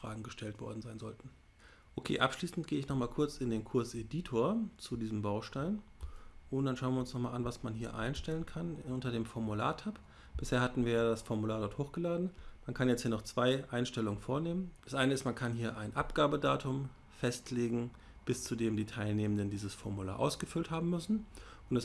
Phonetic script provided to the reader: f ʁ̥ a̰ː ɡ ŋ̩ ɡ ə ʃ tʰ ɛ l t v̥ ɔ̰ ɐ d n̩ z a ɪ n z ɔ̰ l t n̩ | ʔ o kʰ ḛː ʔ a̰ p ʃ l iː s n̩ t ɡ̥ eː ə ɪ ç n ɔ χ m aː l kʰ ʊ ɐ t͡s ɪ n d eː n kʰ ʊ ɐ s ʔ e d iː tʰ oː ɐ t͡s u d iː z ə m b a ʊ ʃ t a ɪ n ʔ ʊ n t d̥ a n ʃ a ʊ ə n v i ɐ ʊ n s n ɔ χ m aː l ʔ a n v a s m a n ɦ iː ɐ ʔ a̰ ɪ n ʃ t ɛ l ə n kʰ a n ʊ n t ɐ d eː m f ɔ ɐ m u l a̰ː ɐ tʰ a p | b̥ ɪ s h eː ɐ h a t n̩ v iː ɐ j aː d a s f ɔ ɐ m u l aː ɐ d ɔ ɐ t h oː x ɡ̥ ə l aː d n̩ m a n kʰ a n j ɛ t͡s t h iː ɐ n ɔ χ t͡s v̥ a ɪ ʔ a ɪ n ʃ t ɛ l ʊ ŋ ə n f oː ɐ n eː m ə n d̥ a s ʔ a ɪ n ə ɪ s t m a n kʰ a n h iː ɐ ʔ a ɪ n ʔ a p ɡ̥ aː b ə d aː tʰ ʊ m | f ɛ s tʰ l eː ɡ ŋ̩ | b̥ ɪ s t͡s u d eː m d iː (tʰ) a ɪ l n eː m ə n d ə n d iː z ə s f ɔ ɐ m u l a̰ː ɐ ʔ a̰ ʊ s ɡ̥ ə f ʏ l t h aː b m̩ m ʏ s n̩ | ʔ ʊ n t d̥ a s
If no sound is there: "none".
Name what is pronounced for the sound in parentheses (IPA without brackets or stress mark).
tʰ